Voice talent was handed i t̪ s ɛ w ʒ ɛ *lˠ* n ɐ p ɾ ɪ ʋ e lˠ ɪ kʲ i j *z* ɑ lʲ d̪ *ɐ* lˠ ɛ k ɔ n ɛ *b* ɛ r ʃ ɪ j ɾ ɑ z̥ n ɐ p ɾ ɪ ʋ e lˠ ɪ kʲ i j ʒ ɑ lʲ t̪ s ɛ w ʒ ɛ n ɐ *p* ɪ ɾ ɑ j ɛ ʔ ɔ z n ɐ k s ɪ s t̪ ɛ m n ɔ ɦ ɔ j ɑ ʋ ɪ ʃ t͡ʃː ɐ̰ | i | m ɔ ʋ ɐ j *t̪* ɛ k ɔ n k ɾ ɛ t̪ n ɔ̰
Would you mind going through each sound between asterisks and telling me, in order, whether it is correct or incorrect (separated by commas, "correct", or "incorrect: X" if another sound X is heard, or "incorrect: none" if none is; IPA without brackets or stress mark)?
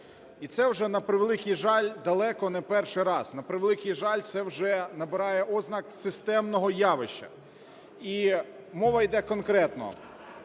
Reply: incorrect: none, incorrect: ʒ, correct, incorrect: p, incorrect: b, incorrect: d̪